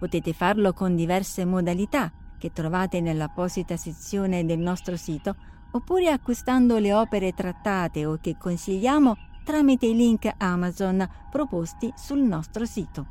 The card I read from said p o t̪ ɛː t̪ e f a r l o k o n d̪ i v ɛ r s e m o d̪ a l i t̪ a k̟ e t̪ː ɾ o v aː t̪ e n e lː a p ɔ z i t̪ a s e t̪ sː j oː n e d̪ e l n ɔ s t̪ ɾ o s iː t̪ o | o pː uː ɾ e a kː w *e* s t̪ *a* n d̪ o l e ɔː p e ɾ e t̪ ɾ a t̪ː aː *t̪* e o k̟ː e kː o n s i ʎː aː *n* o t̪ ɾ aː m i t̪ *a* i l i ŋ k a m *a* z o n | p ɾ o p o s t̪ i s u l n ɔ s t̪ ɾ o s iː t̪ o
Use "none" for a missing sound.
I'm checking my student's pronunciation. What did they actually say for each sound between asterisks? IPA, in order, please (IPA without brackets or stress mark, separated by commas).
i, a, t̪, m, e, a